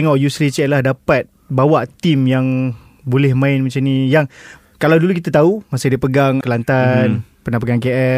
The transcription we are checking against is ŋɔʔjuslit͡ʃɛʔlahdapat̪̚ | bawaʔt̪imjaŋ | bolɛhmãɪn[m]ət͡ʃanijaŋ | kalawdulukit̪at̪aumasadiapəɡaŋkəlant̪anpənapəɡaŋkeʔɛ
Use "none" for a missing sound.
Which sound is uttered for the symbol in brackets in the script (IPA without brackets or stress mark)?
m